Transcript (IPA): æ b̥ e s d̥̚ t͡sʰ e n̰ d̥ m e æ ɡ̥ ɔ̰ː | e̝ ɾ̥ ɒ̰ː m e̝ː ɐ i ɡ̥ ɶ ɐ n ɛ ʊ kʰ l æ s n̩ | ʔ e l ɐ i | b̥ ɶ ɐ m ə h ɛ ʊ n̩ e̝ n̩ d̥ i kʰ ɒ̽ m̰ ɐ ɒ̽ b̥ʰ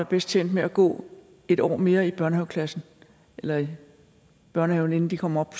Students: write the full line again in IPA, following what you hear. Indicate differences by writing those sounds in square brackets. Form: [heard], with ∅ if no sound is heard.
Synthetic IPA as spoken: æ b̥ e s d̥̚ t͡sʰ e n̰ d̥ m e æ ɡ̥ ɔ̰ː | e̝ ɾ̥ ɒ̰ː m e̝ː ɐ i [b̥] ɶ ɐ n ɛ ʊ kʰ l æ s n̩ | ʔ e l ɐ i | b̥ ɶ ɐ [n] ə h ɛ ʊ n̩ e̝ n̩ d̥ i kʰ ɒ̽ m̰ ɐ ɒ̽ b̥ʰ